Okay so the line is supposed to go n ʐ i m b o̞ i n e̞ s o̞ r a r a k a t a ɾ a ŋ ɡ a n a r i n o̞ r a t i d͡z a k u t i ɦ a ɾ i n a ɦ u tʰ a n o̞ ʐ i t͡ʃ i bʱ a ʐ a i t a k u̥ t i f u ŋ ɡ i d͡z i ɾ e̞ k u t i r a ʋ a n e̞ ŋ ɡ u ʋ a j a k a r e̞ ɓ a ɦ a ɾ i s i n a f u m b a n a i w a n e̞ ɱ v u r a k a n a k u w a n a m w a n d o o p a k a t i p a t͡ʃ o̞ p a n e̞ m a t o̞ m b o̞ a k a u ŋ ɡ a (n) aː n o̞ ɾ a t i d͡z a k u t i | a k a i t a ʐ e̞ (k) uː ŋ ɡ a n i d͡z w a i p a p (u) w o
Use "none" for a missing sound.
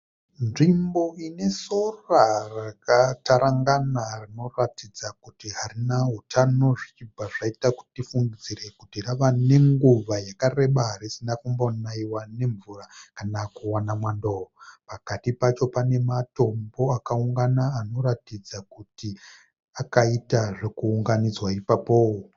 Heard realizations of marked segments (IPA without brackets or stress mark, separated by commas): n, k, o